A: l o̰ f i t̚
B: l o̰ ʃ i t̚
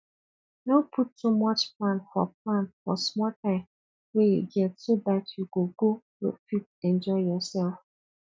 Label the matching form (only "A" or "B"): A